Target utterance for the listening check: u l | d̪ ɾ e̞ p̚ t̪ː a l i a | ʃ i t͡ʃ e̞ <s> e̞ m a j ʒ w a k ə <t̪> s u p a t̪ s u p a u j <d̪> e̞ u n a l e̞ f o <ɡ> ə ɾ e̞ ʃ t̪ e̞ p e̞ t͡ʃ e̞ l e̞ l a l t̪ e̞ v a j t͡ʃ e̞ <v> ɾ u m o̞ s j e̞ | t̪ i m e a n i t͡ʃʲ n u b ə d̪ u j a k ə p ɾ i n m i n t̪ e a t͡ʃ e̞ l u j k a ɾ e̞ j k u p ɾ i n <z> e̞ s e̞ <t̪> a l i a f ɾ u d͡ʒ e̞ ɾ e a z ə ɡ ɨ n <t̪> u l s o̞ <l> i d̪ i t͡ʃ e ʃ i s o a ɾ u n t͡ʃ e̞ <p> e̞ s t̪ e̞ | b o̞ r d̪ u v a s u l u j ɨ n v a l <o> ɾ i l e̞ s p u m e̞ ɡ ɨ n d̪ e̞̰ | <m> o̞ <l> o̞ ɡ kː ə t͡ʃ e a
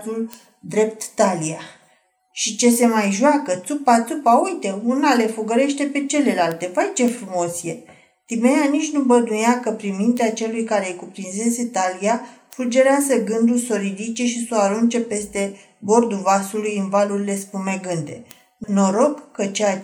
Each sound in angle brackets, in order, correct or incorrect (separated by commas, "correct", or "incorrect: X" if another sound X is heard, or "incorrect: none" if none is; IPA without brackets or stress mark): correct, correct, incorrect: t̪, correct, incorrect: f, correct, correct, incorrect: d̪, incorrect: ɾ, correct, incorrect: u, incorrect: n, incorrect: ɾ